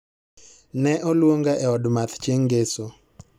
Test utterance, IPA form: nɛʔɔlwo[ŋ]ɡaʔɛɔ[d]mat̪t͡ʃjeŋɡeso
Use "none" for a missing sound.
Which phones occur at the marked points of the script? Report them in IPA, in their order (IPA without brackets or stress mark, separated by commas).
ŋ, d